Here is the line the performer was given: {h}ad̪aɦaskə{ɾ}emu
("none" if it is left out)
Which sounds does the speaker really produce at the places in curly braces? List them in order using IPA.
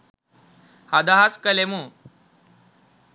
h, l

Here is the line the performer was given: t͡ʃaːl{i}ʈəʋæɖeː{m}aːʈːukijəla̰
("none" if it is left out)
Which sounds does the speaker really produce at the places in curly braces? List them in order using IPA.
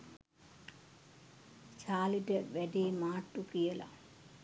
i, m

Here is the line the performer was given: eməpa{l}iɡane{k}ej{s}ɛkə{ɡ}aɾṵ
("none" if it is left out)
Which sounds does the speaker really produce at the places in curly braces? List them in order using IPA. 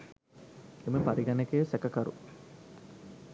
ɾ, k, s, k

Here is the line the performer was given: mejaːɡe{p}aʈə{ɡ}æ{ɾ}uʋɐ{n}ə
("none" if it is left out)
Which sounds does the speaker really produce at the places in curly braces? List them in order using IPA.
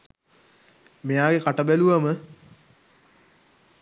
k, b, l, m

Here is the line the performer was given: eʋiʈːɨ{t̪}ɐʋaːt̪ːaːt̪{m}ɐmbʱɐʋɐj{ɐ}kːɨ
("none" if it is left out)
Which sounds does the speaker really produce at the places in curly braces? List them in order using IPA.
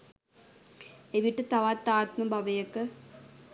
t̪, m, ɐ

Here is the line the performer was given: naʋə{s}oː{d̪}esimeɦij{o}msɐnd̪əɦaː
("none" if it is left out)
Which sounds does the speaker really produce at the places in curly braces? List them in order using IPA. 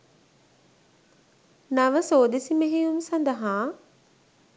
s, d̪, u

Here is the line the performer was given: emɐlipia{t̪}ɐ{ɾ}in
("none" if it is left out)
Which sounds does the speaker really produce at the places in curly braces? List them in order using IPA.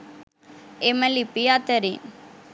t̪, ɾ

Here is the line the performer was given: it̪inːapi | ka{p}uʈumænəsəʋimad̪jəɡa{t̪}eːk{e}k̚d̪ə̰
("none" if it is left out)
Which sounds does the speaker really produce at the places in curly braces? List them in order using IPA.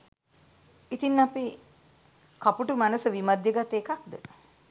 p, t̪, a

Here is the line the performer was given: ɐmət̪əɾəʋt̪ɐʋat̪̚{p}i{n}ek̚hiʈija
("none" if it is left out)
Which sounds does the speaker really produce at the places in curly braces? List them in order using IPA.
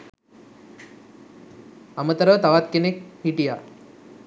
k, n

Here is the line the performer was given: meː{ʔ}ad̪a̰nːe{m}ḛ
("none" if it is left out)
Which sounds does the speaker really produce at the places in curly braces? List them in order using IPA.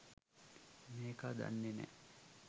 k, n

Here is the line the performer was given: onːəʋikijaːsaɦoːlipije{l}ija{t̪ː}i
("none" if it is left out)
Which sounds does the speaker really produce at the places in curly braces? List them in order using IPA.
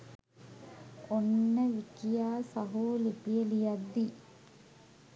l, d̪ː

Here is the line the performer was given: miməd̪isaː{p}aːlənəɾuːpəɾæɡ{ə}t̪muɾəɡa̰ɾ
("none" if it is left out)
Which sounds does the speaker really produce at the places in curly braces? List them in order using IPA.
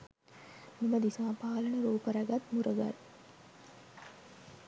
p, a

